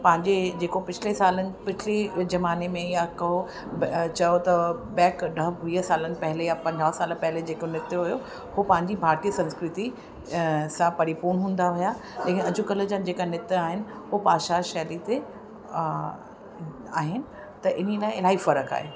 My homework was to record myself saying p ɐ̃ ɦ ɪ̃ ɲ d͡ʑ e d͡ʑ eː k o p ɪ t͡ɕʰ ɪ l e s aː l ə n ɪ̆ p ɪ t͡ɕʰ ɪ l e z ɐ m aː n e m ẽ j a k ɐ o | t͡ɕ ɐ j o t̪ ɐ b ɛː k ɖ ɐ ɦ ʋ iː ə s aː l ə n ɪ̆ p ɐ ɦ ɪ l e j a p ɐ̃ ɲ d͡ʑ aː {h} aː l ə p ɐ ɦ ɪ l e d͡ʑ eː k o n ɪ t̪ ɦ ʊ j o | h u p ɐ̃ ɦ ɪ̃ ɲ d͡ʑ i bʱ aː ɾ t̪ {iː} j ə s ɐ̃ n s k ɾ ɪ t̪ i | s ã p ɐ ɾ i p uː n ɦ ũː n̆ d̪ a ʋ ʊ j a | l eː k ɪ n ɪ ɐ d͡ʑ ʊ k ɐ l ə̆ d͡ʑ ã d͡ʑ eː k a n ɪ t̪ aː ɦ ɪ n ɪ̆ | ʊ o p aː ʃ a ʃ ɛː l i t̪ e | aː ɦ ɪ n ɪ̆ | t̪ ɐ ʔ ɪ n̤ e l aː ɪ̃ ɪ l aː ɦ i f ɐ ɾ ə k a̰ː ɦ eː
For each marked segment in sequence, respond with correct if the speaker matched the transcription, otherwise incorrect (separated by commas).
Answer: incorrect, incorrect